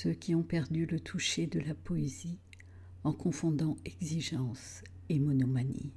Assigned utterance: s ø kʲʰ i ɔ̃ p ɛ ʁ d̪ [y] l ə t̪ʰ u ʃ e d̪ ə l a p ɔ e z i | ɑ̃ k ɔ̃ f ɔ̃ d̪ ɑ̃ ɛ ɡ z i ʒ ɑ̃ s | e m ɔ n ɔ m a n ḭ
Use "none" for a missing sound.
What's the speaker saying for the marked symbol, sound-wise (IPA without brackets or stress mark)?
y